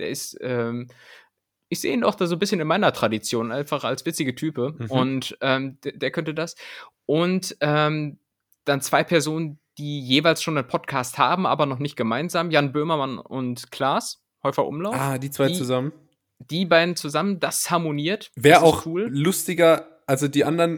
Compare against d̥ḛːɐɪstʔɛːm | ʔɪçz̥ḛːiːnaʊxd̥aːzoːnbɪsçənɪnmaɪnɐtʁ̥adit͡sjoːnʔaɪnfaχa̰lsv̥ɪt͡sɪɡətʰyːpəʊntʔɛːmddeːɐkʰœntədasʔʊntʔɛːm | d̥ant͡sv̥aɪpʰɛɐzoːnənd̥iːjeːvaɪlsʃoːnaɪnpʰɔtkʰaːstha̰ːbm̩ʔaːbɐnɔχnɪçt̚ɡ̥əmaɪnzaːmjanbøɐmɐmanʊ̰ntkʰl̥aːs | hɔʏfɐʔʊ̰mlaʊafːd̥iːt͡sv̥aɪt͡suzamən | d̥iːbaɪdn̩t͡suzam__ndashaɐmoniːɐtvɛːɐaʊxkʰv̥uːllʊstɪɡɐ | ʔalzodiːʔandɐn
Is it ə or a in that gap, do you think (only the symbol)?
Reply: ə